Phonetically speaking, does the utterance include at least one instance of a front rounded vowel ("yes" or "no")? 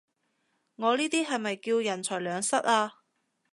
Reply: yes